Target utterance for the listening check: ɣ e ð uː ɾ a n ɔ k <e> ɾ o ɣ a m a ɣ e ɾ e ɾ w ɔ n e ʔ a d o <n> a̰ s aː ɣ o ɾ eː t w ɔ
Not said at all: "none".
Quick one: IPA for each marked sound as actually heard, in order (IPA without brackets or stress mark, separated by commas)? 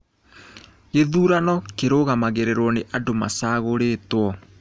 e, m